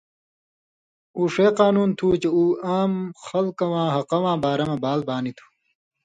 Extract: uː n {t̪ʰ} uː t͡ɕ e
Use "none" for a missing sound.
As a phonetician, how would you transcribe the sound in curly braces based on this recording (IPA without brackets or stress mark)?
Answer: t̪ʰ